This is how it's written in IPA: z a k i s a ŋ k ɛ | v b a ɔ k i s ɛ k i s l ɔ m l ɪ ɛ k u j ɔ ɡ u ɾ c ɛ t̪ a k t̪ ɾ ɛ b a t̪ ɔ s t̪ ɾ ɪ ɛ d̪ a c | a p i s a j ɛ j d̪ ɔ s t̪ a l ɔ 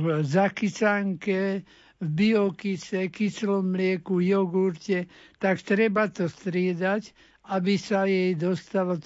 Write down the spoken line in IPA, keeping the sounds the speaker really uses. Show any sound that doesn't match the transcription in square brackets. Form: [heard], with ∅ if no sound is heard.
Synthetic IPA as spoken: z a k i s a ŋ k ɛ | v b [i] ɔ k i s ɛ k i s l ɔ m l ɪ ɛ k u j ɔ ɡ u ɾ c ɛ t̪ a k t̪ ɾ ɛ b a t̪ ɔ s t̪ ɾ ɪ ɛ d̪ a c | a [b] i s a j ɛ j d̪ ɔ s t̪ a l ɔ